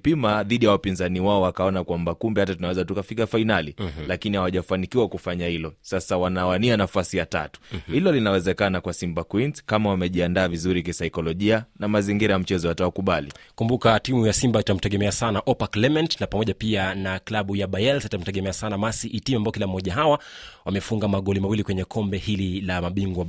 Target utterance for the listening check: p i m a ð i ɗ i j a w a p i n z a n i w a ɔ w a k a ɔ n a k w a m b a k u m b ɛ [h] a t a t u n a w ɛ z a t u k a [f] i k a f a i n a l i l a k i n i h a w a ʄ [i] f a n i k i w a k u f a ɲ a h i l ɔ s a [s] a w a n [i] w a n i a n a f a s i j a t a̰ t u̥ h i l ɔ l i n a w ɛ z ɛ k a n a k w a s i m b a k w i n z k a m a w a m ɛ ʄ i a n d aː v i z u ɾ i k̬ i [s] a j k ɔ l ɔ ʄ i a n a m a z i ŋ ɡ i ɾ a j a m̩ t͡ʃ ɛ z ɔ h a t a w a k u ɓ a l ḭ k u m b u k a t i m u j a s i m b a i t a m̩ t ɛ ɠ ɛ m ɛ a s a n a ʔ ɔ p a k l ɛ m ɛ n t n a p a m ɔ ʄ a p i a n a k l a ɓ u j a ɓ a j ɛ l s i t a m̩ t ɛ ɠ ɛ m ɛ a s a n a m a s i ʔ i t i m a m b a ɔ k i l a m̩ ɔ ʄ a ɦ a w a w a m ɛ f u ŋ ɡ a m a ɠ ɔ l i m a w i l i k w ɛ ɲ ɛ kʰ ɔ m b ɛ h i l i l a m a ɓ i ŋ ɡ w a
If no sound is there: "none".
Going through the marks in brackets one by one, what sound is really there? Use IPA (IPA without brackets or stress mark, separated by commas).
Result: h, f, a, s, a, s